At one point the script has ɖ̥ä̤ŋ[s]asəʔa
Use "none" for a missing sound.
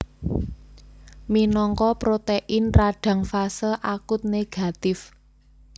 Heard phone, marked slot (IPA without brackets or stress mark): f